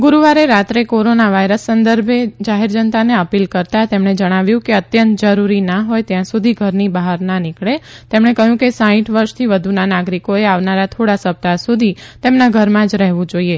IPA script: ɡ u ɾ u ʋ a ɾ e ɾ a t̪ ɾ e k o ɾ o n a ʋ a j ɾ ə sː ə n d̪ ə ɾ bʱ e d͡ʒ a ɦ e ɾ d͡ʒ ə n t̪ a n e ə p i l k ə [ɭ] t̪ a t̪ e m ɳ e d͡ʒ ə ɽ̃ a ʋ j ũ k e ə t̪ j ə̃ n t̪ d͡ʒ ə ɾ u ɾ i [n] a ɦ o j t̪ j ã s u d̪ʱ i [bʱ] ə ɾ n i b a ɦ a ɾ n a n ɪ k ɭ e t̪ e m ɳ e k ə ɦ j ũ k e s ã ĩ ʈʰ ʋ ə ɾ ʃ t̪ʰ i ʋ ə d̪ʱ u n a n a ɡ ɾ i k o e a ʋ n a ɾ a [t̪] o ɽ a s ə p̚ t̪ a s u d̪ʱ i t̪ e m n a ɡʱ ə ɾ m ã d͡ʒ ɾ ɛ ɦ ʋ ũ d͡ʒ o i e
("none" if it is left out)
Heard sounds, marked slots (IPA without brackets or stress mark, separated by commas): ɾ, n, ɡʱ, t̪ʰ